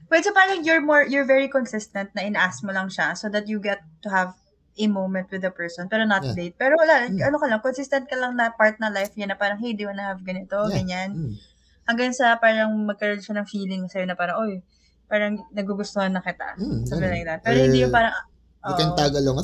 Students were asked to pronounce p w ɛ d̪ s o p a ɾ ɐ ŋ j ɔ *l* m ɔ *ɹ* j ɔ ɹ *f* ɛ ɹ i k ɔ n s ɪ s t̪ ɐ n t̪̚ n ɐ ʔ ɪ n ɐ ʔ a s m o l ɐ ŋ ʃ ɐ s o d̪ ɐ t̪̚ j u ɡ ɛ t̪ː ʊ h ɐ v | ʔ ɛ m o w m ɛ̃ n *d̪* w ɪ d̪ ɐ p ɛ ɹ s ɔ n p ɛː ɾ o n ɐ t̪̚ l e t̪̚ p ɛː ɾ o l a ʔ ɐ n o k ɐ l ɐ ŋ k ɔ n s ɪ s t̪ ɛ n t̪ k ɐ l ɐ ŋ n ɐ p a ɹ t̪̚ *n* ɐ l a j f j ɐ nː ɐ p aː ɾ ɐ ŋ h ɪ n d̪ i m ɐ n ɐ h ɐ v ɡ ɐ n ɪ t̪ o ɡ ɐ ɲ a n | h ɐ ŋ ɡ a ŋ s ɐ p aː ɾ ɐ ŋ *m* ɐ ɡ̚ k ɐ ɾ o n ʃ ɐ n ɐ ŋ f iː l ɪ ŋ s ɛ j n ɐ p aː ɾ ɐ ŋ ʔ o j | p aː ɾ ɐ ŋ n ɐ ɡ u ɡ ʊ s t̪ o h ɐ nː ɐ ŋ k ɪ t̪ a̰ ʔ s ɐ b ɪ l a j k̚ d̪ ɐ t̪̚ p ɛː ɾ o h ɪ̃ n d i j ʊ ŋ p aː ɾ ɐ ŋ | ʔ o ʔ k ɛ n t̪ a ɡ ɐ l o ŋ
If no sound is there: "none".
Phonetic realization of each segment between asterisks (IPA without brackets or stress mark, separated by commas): ɹ, ɹ, v, t̪, n, m